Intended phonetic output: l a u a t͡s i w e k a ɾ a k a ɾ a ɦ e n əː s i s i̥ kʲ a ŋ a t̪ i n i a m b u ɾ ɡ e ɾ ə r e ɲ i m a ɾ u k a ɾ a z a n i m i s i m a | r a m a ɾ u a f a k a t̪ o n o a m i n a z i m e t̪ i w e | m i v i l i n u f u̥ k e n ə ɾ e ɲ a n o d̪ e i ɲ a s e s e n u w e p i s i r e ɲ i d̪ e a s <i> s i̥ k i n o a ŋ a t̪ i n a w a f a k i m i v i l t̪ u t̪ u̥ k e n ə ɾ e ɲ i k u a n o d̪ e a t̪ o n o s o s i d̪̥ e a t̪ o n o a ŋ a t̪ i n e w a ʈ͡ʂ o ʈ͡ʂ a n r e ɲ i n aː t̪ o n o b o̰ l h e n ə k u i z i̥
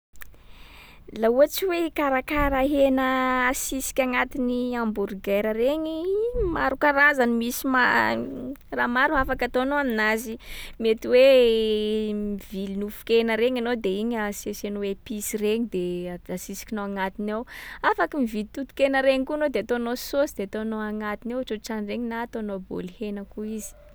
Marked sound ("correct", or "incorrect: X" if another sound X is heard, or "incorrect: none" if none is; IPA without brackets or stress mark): correct